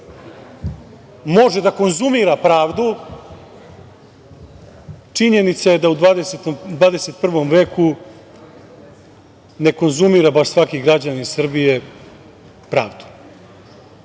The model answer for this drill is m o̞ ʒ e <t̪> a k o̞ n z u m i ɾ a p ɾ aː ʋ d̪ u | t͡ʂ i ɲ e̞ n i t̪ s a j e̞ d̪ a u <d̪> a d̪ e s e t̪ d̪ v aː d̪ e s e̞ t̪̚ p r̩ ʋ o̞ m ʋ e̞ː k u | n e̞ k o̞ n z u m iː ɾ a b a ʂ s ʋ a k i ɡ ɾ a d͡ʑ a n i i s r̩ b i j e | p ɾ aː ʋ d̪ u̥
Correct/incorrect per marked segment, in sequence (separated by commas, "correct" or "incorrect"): incorrect, correct